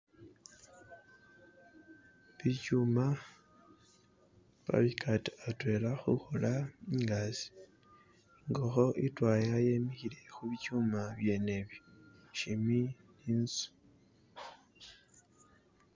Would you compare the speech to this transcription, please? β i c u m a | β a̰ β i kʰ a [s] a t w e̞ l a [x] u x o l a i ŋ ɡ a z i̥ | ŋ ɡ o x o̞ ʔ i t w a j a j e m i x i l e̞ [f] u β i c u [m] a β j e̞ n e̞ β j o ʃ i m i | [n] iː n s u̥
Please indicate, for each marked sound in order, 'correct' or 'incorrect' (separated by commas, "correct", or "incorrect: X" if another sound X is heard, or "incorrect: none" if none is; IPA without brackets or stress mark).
incorrect: t, correct, incorrect: x, correct, correct